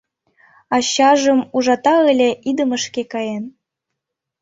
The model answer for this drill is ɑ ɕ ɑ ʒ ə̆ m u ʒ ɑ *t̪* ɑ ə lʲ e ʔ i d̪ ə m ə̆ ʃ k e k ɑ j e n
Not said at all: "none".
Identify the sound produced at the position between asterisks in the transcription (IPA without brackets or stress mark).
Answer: t̪